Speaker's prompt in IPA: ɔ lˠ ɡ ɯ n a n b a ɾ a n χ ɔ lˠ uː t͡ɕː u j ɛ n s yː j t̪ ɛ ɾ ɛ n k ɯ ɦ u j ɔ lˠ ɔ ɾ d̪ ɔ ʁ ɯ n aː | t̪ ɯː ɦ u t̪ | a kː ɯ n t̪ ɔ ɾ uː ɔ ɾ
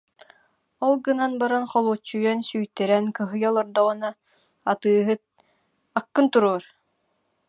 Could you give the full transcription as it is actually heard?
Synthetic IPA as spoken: ɔ lˠ ɡ ɯ n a n b a ɾ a n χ ɔ lˠ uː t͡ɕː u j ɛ n s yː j t̪ ɛ ɾ ɛ n k ɯ ɦ ɯ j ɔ lˠ ɔ ɾ d̪ ɔ ʁ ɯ n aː | t̪ ɯː ɦ ɯ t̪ | a kː ɯ n t̪ u ɾ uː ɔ ɾ